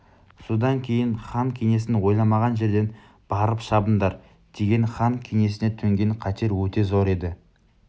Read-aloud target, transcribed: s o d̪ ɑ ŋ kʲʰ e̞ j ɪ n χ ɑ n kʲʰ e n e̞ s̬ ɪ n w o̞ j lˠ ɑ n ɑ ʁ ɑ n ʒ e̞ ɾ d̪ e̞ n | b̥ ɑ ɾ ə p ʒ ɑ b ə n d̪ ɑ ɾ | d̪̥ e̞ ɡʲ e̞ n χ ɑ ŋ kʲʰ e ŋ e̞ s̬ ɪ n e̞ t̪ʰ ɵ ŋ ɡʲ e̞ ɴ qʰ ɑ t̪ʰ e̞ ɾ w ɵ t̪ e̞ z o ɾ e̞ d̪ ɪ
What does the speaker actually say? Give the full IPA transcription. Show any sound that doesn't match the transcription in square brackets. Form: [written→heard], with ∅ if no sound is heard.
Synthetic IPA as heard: s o d̪ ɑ ŋ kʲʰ e̞ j ɪ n χ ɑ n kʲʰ e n e̞ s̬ ɪ n w o̞ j lˠ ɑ [n→m] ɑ ʁ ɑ n ʒ e̞ ɾ d̪ e̞ n | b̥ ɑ ɾ ə p [ʒ→ʃ] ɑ b ə n d̪ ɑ ɾ | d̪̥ e̞ ɡʲ e̞ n χ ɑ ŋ kʲʰ e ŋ e̞ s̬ ɪ n e̞ t̪ʰ ɵ ŋ ɡʲ e̞ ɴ qʰ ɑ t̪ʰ e̞ ɾ w ɵ t̪ e̞ z o ɾ e̞ d̪ ɪ